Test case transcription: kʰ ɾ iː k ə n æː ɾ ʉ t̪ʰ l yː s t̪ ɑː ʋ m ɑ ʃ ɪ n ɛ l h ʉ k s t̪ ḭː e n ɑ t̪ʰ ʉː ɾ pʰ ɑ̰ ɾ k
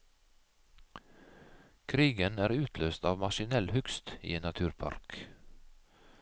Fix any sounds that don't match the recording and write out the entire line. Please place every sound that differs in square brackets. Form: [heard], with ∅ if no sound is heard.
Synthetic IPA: kʰ ɾ iː [ɡ] ə n æː ɾ [ʉː] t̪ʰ l [øː] s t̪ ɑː ʋ m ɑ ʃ ɪ n ɛ l h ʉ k s t̪ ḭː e n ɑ t̪ʰ ʉː ɾ pʰ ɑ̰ ɾ k

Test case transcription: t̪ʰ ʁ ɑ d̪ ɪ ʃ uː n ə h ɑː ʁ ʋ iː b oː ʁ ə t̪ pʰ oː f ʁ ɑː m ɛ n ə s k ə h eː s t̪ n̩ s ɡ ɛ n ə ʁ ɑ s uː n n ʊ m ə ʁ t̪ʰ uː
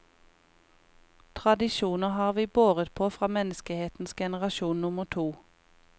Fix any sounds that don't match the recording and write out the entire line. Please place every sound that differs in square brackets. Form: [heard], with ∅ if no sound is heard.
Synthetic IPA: t̪ʰ ʁ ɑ d̪ ɪ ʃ uː n ə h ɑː ʁ ʋ iː b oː ʁ ə t̪ pʰ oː f ʁ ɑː m ɛ n ə s k ə h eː [∅] t̪ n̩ s ɡ ɛ n ə ʁ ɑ [ʃ] uː n n ʊ m ə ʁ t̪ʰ uː

